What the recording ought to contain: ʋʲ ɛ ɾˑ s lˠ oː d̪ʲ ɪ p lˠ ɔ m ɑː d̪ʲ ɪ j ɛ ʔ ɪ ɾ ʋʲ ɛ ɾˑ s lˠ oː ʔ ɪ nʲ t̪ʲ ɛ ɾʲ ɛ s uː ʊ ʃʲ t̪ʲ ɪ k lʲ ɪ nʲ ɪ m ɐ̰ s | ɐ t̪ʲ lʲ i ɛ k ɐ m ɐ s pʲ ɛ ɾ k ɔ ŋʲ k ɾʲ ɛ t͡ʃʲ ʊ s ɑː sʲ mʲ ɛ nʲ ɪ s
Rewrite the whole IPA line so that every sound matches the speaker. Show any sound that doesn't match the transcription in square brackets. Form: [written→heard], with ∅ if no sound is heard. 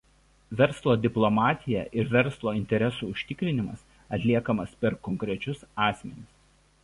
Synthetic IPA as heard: ʋʲ ɛ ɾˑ s lˠ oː d̪ʲ ɪ p lˠ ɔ m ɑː [d̪ʲ→t̪ʲ] ɪ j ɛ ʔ ɪ ɾ ʋʲ ɛ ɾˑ s lˠ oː [ʔ→∅] ɪ nʲ t̪ʲ ɛ ɾʲ ɛ s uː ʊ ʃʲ t̪ʲ ɪ k [lʲ→ɾʲ] ɪ nʲ ɪ m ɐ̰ s | ɐ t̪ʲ lʲ i ɛ k ɐ m ɐ s pʲ ɛ ɾ k ɔ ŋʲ k ɾʲ ɛ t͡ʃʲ ʊ s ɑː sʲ mʲ ɛ nʲ ɪ s